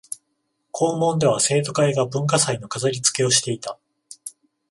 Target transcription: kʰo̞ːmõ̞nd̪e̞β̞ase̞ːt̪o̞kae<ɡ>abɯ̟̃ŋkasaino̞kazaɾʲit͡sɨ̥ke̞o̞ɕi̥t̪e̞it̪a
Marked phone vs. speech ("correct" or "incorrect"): correct